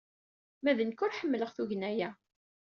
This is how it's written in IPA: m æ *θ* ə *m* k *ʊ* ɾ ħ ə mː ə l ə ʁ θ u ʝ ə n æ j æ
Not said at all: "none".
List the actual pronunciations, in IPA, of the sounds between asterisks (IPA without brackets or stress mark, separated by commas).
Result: ð, n, ʊ